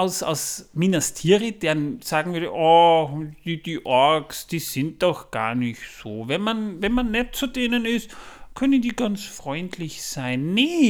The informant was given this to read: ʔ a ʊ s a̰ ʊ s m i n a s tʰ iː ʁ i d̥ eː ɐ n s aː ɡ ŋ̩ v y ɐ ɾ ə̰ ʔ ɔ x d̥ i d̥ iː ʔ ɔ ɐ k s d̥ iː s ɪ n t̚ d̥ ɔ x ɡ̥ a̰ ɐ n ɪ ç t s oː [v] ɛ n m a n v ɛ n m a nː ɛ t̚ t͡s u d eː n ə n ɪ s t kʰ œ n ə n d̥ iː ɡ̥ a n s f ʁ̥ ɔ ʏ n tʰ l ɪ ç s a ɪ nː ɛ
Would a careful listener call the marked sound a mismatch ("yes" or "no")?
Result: no